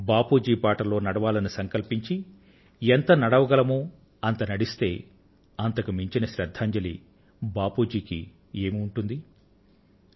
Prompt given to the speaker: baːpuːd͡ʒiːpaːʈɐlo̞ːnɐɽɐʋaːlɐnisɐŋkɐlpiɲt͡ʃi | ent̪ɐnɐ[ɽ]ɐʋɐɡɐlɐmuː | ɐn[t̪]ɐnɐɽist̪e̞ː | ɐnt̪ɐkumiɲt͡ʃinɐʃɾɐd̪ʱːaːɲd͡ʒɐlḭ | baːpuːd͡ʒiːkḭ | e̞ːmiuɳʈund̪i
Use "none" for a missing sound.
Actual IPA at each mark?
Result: ɽ, t̪

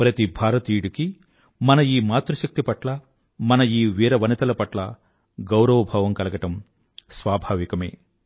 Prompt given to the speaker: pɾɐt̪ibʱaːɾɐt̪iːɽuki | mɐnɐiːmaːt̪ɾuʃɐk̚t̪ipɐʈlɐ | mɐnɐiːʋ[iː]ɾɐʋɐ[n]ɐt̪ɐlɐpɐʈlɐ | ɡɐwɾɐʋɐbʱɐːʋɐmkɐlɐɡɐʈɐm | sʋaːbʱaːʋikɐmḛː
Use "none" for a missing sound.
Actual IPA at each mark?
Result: iː, n

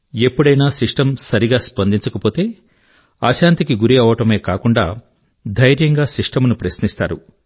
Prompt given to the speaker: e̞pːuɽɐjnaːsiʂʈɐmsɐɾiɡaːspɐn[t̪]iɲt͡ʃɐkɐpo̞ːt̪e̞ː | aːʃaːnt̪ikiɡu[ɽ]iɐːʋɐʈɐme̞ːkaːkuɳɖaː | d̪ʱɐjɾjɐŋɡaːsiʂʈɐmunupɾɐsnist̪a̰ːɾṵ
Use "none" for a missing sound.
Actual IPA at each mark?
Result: d̪, ɾ

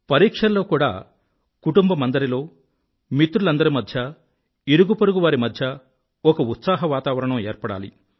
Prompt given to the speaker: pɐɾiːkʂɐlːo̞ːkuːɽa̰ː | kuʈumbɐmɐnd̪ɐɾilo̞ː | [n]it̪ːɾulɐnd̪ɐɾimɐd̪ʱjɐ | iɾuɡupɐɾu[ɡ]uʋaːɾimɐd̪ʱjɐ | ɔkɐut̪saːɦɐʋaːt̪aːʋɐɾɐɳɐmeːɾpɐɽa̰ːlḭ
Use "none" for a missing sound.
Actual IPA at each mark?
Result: m, ɡ

